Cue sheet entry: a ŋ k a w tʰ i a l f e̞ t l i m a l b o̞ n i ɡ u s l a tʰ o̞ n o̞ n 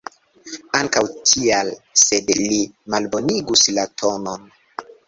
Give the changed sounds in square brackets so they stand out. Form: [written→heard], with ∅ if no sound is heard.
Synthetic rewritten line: a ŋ k a w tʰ i a l [f→s] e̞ [t→d] l i m a l b o̞ n i ɡ u s l a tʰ o̞ n o̞ n